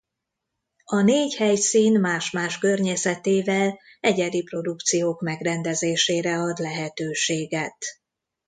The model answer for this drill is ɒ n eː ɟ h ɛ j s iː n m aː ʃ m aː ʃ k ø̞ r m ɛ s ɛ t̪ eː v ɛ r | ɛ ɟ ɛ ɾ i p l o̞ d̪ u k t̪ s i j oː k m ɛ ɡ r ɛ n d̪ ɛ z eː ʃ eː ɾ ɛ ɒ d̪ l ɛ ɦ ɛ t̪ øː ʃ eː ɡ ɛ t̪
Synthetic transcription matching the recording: ɒ n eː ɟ h ɛ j s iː n m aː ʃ m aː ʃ k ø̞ r ɲ ɛ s ɛ t̪ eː v ɛ l | ɛ ɟ ɛ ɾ i p r o̞ d̪ u k t̪ s i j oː k m ɛ ɡ r ɛ n d̪ ɛ z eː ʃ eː ɾ ɛ ɒ d̪ l ɛ ɦ ɛ t̪ øː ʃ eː ɡ ɛ t̪